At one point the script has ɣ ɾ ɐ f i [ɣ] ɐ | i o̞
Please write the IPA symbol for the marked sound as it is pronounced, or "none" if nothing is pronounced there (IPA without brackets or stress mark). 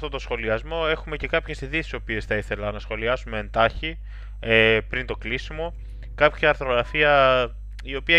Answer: none